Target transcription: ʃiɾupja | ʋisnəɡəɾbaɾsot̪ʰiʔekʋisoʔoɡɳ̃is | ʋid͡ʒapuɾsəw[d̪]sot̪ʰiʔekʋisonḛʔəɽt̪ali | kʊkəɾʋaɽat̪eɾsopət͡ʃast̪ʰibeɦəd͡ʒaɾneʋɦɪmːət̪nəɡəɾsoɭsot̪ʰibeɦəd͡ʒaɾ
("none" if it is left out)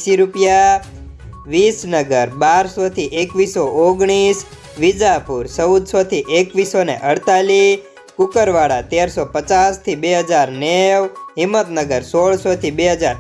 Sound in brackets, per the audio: d̪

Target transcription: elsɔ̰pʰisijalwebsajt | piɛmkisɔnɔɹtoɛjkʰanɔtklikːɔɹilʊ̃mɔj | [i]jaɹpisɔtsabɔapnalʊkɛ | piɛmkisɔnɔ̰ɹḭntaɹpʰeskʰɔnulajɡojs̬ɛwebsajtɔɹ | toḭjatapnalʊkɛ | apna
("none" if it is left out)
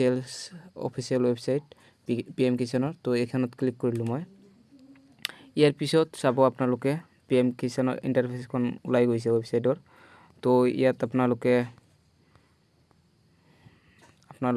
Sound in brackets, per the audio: i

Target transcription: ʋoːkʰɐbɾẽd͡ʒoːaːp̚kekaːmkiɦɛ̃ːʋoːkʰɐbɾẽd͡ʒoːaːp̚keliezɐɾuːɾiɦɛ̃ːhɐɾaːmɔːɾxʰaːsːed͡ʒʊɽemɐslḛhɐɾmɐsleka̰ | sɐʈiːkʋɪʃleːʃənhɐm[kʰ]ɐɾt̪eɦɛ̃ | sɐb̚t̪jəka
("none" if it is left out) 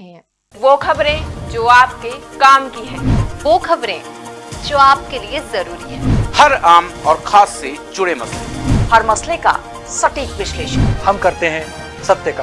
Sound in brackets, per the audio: k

